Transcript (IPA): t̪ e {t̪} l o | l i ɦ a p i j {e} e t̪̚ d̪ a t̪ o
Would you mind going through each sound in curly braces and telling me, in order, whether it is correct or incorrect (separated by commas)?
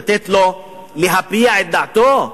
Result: correct, incorrect